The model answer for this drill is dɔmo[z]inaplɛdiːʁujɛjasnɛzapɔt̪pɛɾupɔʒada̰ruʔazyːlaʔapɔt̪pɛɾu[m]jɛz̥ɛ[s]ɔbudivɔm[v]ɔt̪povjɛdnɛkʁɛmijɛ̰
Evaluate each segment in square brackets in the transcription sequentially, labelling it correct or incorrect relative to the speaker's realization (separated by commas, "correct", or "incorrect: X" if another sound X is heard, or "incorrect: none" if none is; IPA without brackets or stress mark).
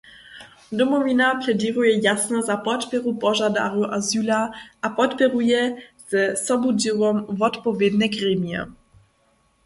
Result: incorrect: v, incorrect: none, correct, correct